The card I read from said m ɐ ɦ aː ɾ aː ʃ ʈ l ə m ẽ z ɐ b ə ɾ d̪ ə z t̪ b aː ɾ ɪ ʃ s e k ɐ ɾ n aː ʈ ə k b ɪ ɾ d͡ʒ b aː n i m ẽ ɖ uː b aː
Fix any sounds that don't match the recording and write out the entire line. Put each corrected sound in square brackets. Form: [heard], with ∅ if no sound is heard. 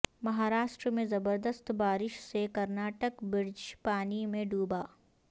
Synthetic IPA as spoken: m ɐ ɦ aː ɾ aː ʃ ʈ [ɾ] ə m ẽ z ɐ b ə ɾ d̪ ə [s] t̪ b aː ɾ ɪ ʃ s e k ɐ ɾ n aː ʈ ə k b ɪ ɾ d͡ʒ [p] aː n i m ẽ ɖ uː b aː

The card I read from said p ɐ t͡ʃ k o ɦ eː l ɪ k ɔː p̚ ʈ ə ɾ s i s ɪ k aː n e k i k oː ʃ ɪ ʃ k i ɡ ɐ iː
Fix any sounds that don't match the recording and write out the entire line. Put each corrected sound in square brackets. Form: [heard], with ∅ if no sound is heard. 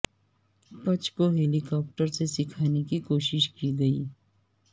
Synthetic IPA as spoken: p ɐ t͡ʃ k o ɦ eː l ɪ k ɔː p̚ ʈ ə ɾ s [e] s ɪ [kʰ] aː n e k i k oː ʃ ɪ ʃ k i ɡ ɐ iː

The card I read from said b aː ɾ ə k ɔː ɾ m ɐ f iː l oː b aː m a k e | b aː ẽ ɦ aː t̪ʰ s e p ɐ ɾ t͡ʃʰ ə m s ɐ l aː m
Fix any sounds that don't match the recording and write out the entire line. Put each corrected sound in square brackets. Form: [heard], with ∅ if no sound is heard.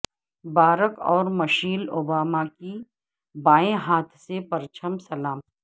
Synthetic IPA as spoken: b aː ɾ ə k ɔː ɾ m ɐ [ʃ] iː l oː b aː m a k [i] | b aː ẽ ɦ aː t̪ʰ s e p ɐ ɾ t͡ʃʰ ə m s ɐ l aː m

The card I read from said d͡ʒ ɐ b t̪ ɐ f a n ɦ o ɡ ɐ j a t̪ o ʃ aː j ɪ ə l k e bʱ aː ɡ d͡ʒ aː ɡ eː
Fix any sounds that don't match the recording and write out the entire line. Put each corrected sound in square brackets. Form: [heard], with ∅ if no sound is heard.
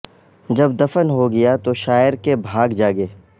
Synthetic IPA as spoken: d͡ʒ ɐ b [d̪] ɐ f [ə] n ɦ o ɡ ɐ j a t̪ o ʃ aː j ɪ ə [ɾ] k e bʱ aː ɡ d͡ʒ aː ɡ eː

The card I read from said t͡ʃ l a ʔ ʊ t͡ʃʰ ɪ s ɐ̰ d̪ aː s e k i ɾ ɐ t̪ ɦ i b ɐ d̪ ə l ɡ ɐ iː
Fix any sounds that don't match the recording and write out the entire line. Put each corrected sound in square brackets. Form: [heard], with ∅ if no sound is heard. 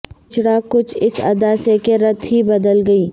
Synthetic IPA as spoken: t͡ʃ [ɽ] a [k] ʊ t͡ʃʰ ɪ s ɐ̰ d̪ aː s e k [e] ɾ ɐ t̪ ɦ i b ɐ d̪ ə l ɡ ɐ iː

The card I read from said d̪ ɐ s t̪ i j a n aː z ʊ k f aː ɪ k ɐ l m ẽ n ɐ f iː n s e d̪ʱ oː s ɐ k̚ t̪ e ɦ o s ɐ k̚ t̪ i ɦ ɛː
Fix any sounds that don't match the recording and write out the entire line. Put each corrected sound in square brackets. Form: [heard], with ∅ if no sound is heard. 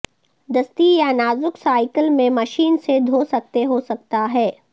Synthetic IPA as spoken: d̪ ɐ s t̪ i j a n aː z ʊ k [s] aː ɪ k [ə] l m ẽ [m] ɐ [ʃ] iː n s e d̪ʱ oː s ɐ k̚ t̪ e ɦ o s ɐ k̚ t̪ [a] ɦ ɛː

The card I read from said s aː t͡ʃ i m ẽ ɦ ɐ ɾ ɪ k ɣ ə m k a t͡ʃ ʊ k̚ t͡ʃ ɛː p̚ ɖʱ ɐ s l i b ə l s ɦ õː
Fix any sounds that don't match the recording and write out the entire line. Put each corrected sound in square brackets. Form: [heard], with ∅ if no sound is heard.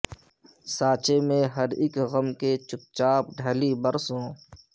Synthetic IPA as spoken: s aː t͡ʃ [e] m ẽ ɦ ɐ ɾ ɪ k ɣ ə m k [e] t͡ʃ ʊ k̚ t͡ʃ [aː] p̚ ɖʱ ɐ [∅] l i b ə [ɾ] s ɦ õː

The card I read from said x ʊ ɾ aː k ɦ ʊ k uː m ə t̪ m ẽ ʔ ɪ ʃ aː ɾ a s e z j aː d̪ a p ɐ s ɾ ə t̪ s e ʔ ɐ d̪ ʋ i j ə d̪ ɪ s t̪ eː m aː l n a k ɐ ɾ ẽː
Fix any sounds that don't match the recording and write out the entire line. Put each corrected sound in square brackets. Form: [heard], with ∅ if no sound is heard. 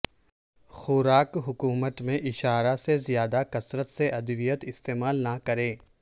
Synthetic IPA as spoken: x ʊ ɾ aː k ɦ ʊ k uː m ə t̪ m ẽ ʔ ɪ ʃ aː ɾ a s e z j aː d̪ a [k] ɐ s ɾ ə t̪ s e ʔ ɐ d̪ ʋ i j ə [t̪] ɪ s t̪ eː m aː l n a k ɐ ɾ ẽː

